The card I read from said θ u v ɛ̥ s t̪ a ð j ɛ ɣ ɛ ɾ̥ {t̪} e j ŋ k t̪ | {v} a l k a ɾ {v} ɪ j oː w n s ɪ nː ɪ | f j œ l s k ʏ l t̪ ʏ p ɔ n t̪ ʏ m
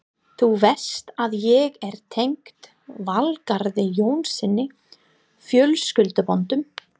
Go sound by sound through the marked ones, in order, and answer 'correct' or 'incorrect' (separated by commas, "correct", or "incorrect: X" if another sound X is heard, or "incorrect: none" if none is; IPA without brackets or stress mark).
incorrect: t̪ʰ, correct, incorrect: ð